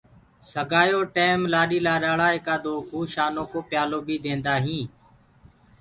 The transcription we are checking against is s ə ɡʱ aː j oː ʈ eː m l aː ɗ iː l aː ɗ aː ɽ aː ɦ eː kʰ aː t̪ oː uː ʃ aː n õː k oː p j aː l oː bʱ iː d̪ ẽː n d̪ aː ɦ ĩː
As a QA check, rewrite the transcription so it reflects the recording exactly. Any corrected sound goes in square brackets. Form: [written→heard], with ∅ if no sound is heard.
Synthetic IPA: s ə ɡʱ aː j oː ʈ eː m l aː ɗ iː l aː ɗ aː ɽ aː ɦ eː [kʰ→k] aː [t̪→d̪] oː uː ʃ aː n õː k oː p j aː l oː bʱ iː d̪ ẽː n d̪ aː ɦ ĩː